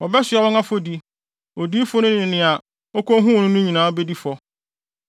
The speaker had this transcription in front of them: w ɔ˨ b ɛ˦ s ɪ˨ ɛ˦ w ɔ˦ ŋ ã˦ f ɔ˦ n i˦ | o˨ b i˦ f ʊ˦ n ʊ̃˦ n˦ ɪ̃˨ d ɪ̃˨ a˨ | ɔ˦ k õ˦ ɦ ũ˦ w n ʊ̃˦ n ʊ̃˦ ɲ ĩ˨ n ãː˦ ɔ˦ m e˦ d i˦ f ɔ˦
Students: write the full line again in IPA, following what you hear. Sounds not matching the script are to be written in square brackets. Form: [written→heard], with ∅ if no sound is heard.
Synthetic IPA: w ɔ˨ b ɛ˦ s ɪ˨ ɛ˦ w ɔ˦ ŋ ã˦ f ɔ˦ [n→d] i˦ | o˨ [b→d] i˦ f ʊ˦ n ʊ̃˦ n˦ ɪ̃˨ [d→n] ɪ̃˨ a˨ | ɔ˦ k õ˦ ɦ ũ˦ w n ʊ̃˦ n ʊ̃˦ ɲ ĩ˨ n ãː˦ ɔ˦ [m→b] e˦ d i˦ f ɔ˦